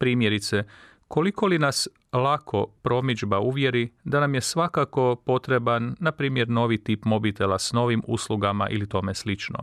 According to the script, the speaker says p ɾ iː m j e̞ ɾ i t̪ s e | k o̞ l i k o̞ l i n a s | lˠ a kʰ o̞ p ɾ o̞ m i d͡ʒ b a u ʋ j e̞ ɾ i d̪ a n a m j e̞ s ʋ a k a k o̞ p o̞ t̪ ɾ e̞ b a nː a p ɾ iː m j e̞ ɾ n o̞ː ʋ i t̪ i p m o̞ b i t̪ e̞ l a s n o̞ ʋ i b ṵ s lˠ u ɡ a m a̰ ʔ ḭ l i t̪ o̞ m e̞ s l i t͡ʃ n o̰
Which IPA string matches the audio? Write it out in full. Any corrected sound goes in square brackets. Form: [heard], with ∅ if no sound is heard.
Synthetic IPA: p ɾ iː m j e̞ ɾ i t̪ s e | k o̞ l i k o̞ l i n a s | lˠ a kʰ o̞ p ɾ o̞ m i d͡ʒ b a u ʋ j e̞ ɾ i d̪ a n a m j e̞ s ʋ a k a k o̞ p o̞ t̪ ɾ e̞ b a nː a p ɾ iː m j e̞ ɾ n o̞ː ʋ i t̪ i p m o̞ b i t̪ e̞ l a s n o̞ ʋ i [m] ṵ s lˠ u ɡ a m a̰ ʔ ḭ l i t̪ o̞ m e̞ s l i t͡ʃ n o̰